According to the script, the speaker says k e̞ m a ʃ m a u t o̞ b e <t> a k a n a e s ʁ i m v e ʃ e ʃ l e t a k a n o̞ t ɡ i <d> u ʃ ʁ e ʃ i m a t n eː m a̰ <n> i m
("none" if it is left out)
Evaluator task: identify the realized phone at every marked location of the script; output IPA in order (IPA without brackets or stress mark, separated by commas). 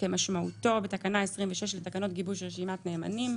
t, b, n